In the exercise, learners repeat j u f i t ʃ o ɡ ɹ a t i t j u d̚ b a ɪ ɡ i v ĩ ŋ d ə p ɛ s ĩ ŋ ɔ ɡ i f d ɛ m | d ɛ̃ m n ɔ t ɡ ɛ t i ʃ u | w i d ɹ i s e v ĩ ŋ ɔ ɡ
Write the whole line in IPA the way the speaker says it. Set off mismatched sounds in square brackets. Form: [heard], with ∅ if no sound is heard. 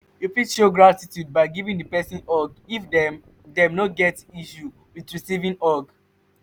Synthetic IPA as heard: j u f i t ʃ o ɡ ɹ a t i t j u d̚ b a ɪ ɡ i v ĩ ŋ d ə p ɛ s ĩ [n] ɔ ɡ i f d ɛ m | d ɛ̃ m n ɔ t ɡ ɛ t i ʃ u | w i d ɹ i s [i] v ĩ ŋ ɔ ɡ